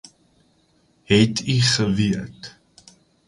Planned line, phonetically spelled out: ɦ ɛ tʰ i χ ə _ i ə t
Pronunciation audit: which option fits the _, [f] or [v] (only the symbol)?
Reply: v